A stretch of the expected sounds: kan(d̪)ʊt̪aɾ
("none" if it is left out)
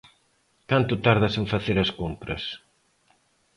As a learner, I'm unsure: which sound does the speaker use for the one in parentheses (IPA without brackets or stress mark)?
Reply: t̪